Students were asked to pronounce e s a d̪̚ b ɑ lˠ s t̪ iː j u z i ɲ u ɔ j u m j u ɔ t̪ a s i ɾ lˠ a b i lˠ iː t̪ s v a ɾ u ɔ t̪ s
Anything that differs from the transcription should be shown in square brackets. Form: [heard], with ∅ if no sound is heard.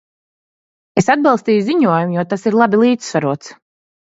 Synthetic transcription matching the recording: e s a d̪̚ b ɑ lˠ s t̪ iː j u z i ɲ u ɔ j u m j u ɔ t̪ a s i ɾ lˠ a b i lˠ iː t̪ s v a ɾ u ɔ t̪ s